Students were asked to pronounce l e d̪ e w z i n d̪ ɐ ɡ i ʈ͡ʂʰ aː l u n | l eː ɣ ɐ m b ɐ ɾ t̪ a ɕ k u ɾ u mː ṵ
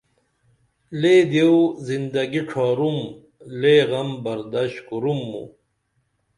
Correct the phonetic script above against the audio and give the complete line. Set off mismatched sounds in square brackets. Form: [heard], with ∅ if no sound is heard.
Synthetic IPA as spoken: l e d̪ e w z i n d̪ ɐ ɡ i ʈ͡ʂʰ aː [ɾ] u [m] | l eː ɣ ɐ m b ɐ ɾ [d̪] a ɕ k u ɾ u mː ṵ

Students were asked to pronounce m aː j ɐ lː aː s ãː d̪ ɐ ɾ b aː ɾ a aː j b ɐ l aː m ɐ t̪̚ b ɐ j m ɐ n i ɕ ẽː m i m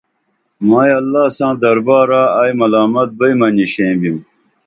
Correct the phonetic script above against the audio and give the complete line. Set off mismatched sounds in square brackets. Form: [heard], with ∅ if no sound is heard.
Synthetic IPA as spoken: m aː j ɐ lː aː s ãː d̪ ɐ ɾ b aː ɾ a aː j [m] ɐ l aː m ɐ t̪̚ b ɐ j m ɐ n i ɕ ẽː [b] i m

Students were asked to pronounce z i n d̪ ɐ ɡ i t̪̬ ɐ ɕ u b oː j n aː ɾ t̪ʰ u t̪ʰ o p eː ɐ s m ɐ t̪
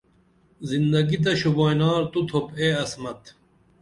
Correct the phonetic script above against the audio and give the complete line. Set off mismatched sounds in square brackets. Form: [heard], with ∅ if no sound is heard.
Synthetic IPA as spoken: z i n d̪ ɐ ɡ i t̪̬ ɐ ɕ u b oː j n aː ɾ [t̪] u t̪ʰ o p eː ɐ s m ɐ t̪

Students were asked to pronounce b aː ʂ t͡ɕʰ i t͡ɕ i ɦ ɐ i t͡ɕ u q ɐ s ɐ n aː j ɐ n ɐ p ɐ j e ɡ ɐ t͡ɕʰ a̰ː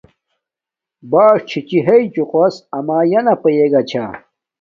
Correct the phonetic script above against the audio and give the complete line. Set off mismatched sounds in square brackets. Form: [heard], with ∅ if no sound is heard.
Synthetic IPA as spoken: b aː ʂ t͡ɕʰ i t͡ɕ i ɦ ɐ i t͡ɕ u q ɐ s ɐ [m] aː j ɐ n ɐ p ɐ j e ɡ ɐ t͡ɕʰ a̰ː

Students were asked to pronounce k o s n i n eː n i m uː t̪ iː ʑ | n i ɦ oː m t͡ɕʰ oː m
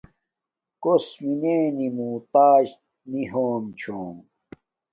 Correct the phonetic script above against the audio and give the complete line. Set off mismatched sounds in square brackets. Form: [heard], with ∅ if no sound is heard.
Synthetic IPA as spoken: k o s [m] i n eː n i m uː t̪ [aː] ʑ | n i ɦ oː m t͡ɕʰ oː m

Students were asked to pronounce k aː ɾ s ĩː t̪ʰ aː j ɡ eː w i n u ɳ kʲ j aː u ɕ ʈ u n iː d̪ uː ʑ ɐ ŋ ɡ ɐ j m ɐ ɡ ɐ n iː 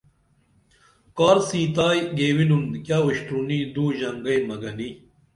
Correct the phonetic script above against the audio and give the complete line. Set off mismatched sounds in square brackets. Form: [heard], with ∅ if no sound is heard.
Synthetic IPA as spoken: k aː ɾ s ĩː [t̪] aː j ɡ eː w i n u [n] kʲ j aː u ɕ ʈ u n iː d̪ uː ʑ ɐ ŋ ɡ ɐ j m ɐ ɡ ɐ n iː

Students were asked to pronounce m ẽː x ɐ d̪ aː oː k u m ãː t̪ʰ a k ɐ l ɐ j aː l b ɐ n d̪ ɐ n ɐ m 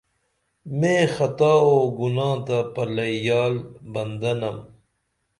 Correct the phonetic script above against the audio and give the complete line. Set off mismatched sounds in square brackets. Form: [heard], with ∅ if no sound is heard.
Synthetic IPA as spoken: m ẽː x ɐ [t̪] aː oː [ɡ] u [n] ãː [t̪] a [p] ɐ l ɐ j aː l b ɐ n d̪ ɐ n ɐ m

